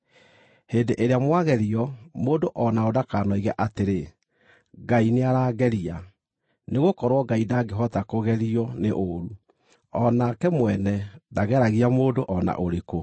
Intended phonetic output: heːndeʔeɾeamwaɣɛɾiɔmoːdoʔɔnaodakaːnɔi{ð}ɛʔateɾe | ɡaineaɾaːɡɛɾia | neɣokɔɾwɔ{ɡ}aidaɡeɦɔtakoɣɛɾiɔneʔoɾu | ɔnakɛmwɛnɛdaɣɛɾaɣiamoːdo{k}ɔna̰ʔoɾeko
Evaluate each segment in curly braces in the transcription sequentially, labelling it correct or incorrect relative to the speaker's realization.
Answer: incorrect: ɣ, correct, incorrect: ʔ

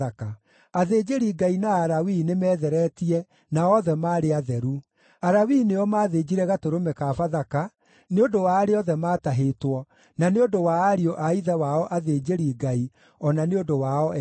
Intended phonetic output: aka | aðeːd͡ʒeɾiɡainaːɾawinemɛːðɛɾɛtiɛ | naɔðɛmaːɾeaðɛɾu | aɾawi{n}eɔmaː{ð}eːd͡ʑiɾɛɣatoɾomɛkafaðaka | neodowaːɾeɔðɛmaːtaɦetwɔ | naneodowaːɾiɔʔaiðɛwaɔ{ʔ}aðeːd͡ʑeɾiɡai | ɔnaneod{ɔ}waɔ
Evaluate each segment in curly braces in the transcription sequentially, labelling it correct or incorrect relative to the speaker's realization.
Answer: correct, correct, correct, incorrect: o

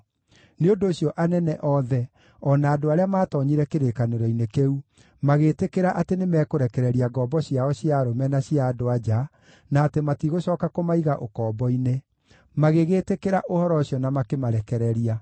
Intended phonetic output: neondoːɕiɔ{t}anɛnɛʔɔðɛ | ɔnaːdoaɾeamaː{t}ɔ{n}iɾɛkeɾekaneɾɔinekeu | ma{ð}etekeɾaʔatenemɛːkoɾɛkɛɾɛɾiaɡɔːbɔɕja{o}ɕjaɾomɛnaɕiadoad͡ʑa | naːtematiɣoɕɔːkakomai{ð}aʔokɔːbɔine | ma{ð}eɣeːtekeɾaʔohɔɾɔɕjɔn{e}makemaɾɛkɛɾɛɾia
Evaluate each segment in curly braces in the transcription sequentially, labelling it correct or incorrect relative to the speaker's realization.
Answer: incorrect: ʔ, correct, incorrect: ɲ, incorrect: ɣ, incorrect: ɔ, incorrect: ɣ, incorrect: ɣ, incorrect: a

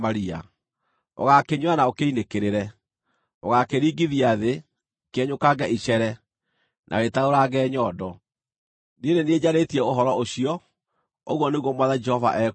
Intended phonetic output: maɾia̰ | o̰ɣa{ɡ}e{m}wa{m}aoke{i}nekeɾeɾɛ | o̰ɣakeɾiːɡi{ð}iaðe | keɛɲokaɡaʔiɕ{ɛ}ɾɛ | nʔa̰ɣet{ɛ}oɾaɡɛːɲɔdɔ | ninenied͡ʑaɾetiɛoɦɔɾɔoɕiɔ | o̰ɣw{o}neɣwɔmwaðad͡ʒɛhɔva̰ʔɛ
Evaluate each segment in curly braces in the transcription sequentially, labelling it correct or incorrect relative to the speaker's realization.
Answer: incorrect: k, incorrect: ɲ, incorrect: n, correct, correct, correct, incorrect: a, incorrect: ɔ

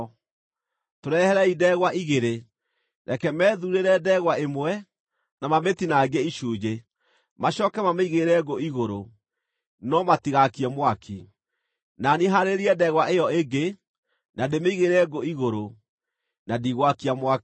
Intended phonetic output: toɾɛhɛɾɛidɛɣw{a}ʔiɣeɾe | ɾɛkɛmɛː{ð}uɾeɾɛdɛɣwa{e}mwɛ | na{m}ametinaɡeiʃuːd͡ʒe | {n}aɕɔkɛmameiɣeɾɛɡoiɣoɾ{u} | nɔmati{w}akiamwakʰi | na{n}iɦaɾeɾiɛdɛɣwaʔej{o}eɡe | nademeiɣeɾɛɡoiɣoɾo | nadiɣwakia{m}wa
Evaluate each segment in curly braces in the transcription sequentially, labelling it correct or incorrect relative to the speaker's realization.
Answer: correct, correct, correct, correct, incorrect: m, incorrect: o, incorrect: ɣ, correct, incorrect: ɔ, correct

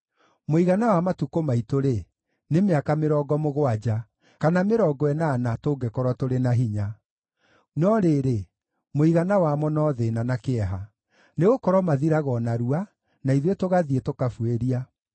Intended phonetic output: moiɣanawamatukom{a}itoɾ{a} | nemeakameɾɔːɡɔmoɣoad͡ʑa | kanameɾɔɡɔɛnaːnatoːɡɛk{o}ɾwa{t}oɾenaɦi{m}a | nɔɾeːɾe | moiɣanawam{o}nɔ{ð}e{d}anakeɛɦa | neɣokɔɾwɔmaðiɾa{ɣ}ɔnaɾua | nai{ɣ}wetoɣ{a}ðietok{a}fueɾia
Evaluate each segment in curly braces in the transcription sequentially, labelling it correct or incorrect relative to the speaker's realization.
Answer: correct, incorrect: e, incorrect: ɔ, correct, incorrect: ɲ, incorrect: ɔ, correct, incorrect: n, correct, incorrect: ð, correct, correct

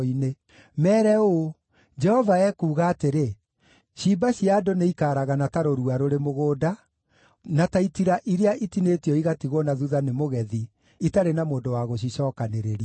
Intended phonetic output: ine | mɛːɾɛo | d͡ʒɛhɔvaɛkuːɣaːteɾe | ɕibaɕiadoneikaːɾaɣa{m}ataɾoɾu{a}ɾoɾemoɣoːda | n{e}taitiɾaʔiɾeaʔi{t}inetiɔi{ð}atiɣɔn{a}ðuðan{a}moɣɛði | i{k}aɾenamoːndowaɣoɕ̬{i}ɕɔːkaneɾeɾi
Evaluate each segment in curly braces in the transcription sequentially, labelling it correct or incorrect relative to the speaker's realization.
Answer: incorrect: n, correct, incorrect: a, correct, incorrect: ɣ, correct, incorrect: e, incorrect: t, correct

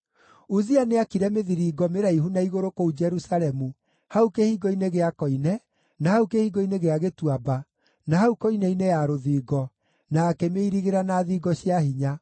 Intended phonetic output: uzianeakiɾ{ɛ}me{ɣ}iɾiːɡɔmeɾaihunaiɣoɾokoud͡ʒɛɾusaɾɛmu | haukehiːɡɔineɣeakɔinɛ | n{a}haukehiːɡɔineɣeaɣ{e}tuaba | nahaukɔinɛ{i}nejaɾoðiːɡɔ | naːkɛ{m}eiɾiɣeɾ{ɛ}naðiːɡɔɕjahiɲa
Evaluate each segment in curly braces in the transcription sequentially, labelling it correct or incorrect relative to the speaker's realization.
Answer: correct, incorrect: ð, correct, correct, correct, correct, incorrect: a

